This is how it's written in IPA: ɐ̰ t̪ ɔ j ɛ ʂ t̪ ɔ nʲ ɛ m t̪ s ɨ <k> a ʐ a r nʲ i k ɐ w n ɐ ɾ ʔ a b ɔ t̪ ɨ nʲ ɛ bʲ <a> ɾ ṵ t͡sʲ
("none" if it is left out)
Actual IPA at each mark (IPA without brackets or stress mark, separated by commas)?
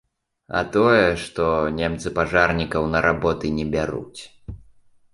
p, a